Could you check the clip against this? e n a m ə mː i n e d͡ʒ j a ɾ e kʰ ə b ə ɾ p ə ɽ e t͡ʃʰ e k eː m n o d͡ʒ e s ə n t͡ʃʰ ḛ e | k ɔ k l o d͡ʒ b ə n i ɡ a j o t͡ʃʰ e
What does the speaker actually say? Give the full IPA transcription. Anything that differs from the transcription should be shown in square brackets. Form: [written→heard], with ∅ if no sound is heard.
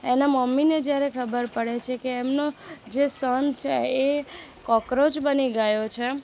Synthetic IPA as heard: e n a m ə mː i n e d͡ʒ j a ɾ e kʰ ə b ə ɾ p ə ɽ e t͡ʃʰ e k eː m n o d͡ʒ e s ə n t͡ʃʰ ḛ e | k ɔ k [l→ɾ] o d͡ʒ b ə n i ɡ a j o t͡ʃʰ e